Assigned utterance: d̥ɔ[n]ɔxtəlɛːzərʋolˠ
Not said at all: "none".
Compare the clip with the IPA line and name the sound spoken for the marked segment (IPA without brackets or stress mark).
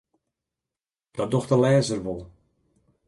d